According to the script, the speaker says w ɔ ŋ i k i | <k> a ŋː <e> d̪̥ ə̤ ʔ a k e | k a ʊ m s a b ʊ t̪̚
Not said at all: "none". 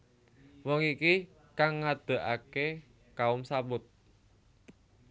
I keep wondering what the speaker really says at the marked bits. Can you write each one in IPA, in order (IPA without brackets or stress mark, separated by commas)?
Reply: k, a